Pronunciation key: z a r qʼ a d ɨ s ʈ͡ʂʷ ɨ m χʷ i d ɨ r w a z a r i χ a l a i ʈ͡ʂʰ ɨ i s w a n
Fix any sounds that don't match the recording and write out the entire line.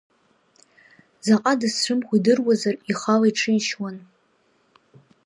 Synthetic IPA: z a qʼ a d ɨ s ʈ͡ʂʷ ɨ m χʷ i d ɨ r w a z a r i χ a l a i ʈ͡ʂʰ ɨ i ʃ w a n

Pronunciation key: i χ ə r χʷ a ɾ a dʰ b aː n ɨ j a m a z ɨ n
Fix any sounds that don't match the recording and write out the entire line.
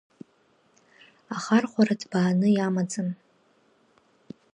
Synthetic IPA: a χ a r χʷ a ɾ a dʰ b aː n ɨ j a m a d͡z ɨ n

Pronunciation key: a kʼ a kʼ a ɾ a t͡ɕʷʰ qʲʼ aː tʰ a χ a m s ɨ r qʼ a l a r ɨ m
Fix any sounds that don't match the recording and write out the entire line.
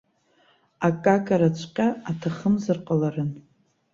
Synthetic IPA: a kʼ a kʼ a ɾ a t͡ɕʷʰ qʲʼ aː tʰ a χ ə m z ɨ r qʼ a l a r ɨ n

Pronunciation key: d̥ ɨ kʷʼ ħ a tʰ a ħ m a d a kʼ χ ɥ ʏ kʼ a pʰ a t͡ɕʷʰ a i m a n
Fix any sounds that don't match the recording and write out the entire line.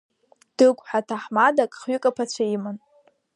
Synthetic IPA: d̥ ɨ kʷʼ ħ a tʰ a ħ m a d a kʼ χ ɥ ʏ kʼ a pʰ a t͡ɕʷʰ a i m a n

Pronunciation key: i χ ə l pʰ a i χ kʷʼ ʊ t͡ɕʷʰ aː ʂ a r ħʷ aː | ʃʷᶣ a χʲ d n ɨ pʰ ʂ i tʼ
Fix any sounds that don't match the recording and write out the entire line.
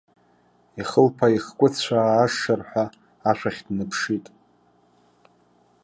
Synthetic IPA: i χ ə l pʰ a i χ kʷʼ ʊ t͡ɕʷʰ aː ʂ a r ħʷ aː | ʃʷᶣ a χʲ d n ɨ pʰ ʂ i tʼ

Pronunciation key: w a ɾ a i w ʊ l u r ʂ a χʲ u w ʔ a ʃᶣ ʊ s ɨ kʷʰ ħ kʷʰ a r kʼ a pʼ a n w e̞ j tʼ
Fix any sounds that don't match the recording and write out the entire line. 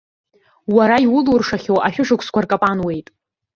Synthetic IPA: w a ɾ a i w ʊ l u r ʂ a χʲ o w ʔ a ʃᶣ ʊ ʂ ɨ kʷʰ s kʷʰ a r kʼ a pʼ a n w e̞ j tʼ

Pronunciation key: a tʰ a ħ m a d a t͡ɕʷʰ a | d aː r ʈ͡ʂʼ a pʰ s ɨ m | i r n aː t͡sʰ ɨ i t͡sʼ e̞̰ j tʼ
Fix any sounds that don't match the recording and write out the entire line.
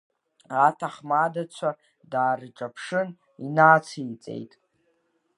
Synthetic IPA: a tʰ a χ m a d a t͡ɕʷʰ a | d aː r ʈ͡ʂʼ a pʰ ʂ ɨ n | i n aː t͡sʰ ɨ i t͡sʼ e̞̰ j tʼ

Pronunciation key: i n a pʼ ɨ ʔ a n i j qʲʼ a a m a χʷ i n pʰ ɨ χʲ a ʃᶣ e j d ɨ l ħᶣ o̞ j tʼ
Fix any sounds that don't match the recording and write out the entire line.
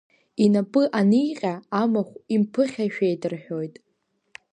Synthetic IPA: i n a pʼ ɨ ʔ a n i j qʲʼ a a m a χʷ i m pʰ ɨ χʲ a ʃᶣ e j d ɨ r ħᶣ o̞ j tʼ

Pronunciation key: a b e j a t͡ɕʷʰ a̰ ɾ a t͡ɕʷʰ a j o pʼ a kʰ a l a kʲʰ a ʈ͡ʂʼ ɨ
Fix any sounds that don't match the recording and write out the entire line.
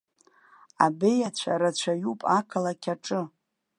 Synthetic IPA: a b e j a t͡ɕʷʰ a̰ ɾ a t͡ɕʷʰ a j u pʼ a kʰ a l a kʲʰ a ʈ͡ʂʼ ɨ

